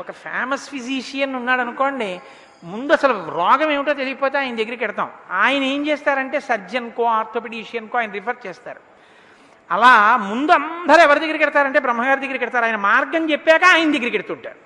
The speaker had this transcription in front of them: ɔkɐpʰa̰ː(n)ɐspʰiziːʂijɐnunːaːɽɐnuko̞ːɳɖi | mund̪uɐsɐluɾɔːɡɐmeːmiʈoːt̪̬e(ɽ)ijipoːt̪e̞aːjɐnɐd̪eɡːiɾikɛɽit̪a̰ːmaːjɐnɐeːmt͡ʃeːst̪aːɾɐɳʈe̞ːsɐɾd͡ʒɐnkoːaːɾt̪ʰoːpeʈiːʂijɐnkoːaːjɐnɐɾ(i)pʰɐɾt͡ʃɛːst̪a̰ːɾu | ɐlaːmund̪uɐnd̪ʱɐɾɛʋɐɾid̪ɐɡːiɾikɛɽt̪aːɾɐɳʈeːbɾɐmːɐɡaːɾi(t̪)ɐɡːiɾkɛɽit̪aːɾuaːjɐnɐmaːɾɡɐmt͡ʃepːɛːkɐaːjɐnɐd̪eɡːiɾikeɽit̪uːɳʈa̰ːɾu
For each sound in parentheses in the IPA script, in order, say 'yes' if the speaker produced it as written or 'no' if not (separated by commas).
no, no, yes, no